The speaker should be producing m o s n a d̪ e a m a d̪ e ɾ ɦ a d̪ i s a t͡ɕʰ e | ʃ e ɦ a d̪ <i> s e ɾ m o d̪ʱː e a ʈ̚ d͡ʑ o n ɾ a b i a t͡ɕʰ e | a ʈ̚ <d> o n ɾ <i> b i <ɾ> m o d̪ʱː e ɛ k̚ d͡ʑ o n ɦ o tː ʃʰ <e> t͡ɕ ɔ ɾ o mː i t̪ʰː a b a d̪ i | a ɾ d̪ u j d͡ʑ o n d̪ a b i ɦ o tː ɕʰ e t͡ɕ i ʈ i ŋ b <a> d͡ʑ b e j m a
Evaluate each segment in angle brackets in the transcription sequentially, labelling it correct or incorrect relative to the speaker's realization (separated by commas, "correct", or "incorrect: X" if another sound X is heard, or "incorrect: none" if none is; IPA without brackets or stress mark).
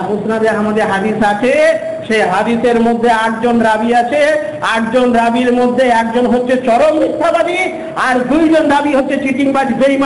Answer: correct, incorrect: d͡ʑ, incorrect: a, correct, correct, correct